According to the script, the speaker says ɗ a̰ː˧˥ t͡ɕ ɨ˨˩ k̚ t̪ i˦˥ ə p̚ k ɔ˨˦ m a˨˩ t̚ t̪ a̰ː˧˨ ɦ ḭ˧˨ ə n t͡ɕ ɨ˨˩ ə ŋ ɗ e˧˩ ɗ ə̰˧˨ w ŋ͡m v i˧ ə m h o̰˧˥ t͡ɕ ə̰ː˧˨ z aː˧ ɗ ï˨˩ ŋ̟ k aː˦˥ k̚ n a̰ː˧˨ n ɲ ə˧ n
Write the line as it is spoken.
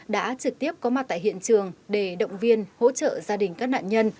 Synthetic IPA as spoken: ɗ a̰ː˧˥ t͡ɕ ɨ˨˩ k̚ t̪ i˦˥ ə p̚ k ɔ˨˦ m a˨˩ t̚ t̪ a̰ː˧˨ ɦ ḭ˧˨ ə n t͡ɕ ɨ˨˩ ə ŋ ɗ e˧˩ ɗ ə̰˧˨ w ŋ͡m v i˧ ə n h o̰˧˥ t͡ɕ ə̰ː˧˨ z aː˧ ɗ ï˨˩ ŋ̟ k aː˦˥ k̚ n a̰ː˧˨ n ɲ ə˧ n